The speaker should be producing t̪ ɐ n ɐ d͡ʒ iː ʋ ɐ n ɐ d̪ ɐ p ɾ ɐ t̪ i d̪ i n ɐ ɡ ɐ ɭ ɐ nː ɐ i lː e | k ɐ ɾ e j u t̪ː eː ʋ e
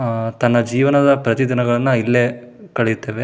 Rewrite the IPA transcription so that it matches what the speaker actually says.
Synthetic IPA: t̪ ɐ nː ɐ d͡ʒ iː ʋ ɐ n ɐ d̪ ɐ p ɾ ɐ t̪ i d̪ i n ɐ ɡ ɐ ɭ ɐ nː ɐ i lː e | k ɐ ɭ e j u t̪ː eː ʋ e